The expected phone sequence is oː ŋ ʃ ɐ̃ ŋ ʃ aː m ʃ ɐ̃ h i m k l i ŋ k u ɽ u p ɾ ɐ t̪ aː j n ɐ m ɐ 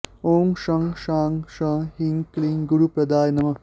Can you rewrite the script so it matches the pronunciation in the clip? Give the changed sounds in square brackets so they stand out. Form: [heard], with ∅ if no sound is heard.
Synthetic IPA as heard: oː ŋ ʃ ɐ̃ ŋ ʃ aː [ŋ] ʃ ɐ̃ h i [ŋ] k l i ŋ [ɡ] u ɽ u p ɾ ɐ [d̪] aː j n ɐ m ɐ

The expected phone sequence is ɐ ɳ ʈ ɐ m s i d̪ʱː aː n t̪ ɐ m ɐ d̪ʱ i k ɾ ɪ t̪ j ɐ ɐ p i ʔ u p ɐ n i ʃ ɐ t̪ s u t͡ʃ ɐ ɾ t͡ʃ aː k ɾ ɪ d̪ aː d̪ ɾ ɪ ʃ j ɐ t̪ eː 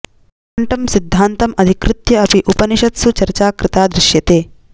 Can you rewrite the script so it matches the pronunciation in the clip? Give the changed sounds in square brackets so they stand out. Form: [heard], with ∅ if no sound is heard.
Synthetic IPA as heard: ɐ ɳ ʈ ɐ m s i d̪ʱː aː n t̪ ɐ m ɐ d̪ʱ i k ɾ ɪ t̪ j ɐ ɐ p i ʔ u p ɐ n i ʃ ɐ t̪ s u t͡ʃ ɐ ɾ t͡ʃ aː k ɾ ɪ [t̪] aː d̪ ɾ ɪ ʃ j ɐ t̪ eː

